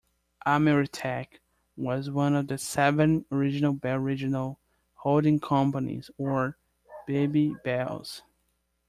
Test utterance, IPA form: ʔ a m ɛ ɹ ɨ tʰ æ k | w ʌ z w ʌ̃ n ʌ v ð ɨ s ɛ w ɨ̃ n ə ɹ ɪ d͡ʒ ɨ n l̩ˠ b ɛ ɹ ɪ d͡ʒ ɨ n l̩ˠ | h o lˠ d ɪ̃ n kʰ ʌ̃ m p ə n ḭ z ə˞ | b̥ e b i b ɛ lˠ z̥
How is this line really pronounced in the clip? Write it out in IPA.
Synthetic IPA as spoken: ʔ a m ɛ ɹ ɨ tʰ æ k | w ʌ z w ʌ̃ n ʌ v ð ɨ s ɛ v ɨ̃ n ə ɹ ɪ d͡ʒ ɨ n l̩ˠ b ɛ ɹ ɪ d͡ʒ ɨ n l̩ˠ | h o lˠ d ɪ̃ ŋ kʰ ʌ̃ m p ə n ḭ z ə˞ | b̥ e b i b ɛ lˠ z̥